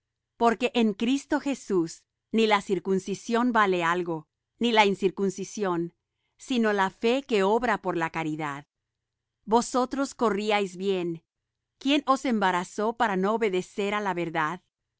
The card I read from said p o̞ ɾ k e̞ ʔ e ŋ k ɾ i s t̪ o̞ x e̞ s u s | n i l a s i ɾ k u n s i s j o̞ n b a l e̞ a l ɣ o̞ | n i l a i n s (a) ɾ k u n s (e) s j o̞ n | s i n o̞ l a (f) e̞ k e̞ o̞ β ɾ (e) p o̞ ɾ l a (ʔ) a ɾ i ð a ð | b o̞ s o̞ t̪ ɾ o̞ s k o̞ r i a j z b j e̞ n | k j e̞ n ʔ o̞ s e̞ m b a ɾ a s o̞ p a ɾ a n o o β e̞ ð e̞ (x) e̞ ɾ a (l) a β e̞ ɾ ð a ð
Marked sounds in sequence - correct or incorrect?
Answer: incorrect, incorrect, correct, incorrect, incorrect, incorrect, correct

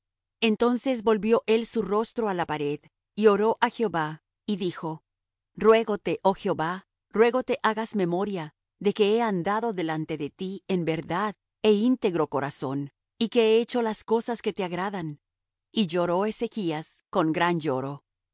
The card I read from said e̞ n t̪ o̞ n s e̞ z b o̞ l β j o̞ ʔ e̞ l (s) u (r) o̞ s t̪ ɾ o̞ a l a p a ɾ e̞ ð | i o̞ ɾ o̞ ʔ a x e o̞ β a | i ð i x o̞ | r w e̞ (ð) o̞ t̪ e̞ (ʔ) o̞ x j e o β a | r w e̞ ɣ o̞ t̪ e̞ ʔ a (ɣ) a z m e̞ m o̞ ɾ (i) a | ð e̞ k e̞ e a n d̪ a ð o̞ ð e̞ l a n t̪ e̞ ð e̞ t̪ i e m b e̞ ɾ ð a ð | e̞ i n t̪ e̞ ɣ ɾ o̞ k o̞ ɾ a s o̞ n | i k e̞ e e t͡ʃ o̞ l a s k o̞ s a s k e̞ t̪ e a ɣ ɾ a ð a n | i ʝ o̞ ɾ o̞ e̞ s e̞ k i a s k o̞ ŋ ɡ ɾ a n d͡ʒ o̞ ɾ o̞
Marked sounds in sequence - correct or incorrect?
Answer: correct, correct, incorrect, correct, correct, incorrect

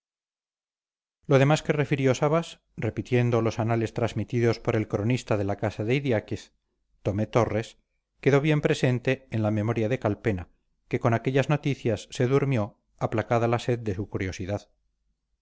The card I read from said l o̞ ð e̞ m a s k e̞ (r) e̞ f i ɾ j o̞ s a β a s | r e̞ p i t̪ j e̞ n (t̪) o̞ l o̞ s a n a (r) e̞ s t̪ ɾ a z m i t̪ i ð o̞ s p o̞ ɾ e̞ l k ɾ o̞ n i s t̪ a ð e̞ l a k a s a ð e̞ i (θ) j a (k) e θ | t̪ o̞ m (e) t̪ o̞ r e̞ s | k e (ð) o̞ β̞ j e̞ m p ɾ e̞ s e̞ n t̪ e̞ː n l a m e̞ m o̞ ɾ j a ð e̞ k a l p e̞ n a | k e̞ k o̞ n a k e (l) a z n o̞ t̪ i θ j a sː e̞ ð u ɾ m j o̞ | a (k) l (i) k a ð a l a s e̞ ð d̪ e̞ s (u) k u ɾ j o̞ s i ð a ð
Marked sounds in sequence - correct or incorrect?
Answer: correct, incorrect, incorrect, incorrect, correct, correct, correct, incorrect, incorrect, incorrect, correct

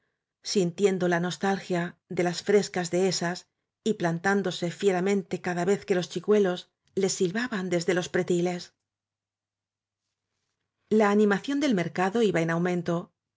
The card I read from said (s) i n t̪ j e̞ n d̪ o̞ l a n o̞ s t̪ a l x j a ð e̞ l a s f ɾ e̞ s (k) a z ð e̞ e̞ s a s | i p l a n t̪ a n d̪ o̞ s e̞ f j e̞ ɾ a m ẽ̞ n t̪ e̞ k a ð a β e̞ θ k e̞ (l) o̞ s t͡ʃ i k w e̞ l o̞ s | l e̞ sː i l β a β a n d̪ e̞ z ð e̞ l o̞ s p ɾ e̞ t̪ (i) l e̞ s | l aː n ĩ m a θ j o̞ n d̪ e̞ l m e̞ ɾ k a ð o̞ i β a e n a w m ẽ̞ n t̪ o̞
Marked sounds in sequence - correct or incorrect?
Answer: correct, correct, correct, correct

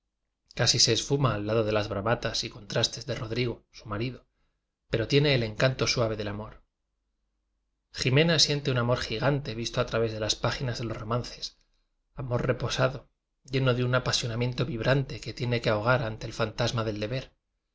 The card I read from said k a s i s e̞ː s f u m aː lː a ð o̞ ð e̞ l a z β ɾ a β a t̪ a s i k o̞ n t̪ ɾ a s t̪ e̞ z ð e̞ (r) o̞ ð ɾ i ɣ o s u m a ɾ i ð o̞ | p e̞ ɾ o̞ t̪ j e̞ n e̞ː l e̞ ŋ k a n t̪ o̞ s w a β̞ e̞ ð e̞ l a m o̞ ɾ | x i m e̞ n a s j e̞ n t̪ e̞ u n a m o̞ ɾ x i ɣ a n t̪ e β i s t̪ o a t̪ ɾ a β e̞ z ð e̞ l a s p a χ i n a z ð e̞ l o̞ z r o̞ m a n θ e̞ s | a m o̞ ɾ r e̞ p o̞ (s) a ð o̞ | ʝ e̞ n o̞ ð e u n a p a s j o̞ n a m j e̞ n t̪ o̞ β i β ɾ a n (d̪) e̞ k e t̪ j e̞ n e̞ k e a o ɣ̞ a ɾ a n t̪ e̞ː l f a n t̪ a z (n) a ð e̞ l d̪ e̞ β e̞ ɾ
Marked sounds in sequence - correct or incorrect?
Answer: correct, correct, incorrect, incorrect

